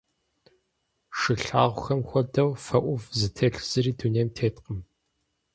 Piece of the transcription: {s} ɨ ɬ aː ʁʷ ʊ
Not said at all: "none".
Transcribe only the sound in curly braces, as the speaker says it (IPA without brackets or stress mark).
ʂ